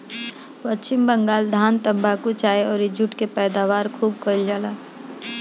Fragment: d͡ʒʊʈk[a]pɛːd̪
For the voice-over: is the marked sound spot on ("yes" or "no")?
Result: no